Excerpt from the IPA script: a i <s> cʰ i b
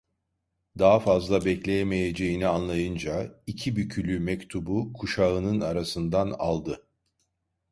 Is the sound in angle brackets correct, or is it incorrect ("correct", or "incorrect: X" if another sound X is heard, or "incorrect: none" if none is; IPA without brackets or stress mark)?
incorrect: none